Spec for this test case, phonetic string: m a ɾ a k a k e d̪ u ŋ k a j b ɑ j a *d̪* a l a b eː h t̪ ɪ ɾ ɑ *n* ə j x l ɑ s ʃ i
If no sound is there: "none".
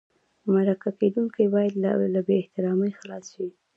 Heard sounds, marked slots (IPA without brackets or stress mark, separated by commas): d̪, m